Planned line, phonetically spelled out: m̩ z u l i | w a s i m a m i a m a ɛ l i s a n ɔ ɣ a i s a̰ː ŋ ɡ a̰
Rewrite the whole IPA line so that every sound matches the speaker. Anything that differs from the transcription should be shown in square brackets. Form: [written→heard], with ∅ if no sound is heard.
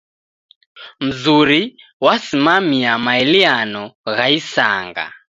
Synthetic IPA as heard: m̩ z u [l→ɾ] i | w a s i m a m i a m a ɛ l i [s→∅] a n ɔ ɣ a i s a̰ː ŋ ɡ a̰